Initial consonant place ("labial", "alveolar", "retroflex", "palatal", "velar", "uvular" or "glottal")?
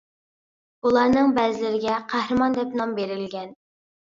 alveolar